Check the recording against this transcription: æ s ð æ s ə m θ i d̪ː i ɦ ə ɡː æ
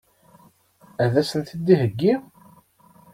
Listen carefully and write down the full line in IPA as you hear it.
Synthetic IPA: æ ð æ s ə n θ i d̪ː i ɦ ə ɡː i